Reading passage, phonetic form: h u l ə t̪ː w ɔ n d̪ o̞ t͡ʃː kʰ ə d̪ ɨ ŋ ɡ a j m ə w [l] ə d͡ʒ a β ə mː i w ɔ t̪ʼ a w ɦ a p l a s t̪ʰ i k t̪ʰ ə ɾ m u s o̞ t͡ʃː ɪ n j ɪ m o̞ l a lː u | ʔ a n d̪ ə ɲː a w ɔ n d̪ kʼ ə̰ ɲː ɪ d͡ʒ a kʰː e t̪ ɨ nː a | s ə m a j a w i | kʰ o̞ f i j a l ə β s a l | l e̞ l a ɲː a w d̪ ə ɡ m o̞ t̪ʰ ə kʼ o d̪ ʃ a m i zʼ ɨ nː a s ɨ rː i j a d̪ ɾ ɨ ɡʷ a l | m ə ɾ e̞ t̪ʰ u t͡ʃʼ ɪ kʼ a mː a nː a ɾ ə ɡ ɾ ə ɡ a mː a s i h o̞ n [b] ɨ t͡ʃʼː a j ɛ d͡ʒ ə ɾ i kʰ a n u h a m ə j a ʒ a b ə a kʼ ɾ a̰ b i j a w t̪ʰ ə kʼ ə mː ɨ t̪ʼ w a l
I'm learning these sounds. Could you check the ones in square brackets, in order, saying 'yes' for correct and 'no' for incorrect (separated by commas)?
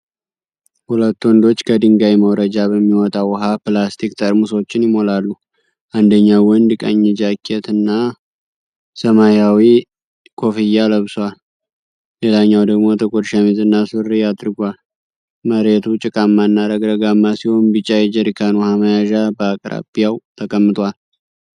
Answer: no, yes